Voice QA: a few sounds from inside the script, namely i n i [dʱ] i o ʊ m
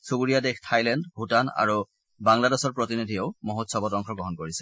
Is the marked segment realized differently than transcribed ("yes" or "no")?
no